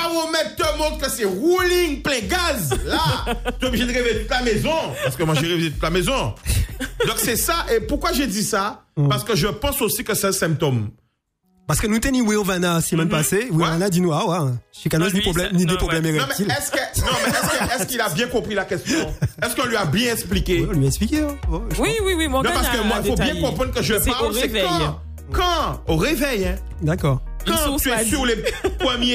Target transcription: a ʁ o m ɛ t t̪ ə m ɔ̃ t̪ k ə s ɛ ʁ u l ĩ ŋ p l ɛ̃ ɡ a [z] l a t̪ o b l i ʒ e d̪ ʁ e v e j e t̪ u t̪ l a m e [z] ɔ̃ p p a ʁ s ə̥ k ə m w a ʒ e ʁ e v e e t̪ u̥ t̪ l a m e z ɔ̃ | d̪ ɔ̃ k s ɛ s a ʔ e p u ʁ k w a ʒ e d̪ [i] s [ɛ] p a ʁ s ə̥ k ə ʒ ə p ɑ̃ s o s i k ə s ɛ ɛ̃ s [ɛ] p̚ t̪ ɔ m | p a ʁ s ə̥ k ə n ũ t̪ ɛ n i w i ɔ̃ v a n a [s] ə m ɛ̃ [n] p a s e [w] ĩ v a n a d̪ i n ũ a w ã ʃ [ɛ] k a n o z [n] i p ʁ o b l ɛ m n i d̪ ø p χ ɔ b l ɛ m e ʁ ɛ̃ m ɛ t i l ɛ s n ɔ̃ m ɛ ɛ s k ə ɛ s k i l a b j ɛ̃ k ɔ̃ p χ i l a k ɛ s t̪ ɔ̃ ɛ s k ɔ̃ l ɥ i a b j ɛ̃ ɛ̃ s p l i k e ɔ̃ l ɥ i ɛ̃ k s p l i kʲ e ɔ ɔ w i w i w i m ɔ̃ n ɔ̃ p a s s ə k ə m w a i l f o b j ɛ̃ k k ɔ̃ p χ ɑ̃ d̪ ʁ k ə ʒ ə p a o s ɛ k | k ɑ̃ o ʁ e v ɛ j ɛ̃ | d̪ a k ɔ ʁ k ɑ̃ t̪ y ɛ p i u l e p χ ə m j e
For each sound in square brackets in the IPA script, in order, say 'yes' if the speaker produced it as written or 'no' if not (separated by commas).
yes, yes, yes, no, no, yes, yes, yes, no, yes